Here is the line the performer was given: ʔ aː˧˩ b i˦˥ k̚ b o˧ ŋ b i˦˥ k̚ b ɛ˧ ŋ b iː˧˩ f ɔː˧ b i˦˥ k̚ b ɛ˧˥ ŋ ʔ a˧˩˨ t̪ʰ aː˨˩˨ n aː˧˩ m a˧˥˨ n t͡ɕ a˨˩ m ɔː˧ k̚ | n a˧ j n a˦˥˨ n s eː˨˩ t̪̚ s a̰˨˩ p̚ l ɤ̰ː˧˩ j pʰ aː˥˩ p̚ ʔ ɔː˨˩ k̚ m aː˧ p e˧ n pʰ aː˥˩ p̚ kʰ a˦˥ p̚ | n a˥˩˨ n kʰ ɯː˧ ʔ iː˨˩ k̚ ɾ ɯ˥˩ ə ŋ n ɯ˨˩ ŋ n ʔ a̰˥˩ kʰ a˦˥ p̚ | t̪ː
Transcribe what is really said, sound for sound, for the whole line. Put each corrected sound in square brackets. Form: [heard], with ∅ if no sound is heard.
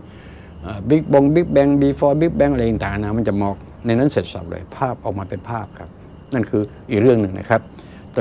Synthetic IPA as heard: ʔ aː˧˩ b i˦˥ k̚ b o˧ ŋ b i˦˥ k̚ b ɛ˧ ŋ b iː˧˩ f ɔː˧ b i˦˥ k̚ b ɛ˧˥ ŋ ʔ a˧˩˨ [t̪] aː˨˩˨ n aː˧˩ m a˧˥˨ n t͡ɕ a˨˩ m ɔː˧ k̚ | n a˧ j n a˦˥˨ n s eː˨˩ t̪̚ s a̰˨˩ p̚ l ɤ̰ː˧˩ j pʰ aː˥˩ p̚ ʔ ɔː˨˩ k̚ m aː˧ p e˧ n pʰ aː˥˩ p̚ kʰ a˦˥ p̚ | n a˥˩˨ n kʰ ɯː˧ ʔ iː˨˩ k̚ ɾ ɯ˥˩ ə ŋ n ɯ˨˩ ŋ n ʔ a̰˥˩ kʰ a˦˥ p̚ | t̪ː